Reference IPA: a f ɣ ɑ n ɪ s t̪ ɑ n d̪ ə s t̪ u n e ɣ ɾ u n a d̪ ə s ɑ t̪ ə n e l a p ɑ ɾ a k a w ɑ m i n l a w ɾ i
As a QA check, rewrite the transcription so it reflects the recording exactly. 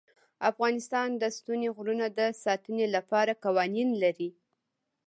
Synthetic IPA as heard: a f ɣ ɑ n ɪ s t̪ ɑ n d̪ ə s t̪ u n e ɣ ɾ u n a d̪ ə s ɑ t̪ ə n e l a p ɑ ɾ a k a w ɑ n i n l a ɾ i